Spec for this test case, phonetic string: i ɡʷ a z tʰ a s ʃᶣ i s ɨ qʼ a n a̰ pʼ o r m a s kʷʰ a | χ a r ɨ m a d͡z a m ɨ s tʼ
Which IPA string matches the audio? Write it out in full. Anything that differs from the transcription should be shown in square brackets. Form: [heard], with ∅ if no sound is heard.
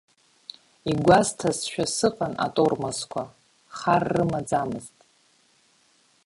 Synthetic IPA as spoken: i ɡʷ a z tʰ a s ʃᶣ [a] s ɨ qʼ a n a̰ [tʼ] o r m a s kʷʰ a | χ a [rː] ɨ m a d͡z a m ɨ [z] tʼ